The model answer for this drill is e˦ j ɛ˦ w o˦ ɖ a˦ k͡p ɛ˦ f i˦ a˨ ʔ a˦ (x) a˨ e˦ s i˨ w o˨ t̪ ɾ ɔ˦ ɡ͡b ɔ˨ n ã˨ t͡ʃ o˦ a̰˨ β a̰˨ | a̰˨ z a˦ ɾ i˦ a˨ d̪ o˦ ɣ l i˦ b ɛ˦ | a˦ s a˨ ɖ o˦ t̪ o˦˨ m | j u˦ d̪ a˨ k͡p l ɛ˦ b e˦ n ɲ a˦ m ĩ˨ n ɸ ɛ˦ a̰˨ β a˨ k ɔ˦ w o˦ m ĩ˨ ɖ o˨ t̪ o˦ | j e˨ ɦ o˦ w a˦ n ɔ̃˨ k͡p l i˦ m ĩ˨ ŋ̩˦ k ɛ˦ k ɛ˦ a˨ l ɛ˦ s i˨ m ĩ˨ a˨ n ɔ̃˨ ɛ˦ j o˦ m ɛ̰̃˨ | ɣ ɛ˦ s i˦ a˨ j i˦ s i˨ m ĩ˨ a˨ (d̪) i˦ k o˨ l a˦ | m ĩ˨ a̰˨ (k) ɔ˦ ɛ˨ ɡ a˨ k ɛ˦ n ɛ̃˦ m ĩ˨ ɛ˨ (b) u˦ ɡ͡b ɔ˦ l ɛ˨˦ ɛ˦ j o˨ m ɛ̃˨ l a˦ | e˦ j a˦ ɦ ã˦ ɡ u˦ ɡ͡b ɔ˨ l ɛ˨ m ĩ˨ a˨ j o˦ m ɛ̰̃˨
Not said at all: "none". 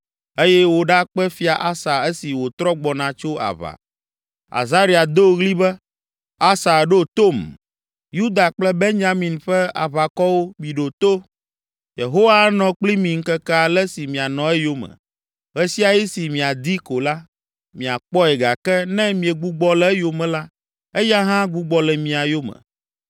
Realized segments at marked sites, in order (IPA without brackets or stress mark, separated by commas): s, d̪, k͡p, ɡ͡b